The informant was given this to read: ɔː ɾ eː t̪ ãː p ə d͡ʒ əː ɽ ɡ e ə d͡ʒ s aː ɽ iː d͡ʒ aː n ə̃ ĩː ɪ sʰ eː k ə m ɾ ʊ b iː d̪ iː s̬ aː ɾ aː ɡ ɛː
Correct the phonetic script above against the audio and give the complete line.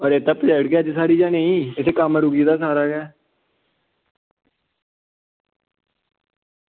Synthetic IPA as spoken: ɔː ɾ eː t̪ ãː p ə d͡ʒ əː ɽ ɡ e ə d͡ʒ s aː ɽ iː d͡ʒ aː n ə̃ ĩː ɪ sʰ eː k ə m ɾ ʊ ɡ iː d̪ aː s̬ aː ɾ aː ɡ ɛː